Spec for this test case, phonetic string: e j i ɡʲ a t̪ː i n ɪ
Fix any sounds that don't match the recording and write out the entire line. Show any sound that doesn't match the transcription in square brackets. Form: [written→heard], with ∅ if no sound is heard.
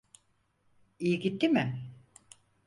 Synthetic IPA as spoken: [e→i] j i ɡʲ [a→i] t̪ː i [n→m] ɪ